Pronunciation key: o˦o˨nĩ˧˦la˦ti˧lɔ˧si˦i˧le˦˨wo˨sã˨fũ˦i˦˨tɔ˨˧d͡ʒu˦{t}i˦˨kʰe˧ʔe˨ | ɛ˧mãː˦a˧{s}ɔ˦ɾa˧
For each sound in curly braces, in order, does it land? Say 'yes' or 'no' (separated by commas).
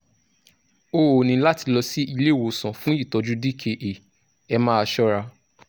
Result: no, no